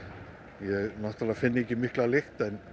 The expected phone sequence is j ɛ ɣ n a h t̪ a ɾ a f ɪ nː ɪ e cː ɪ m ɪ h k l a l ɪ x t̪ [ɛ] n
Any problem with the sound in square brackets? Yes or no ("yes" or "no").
no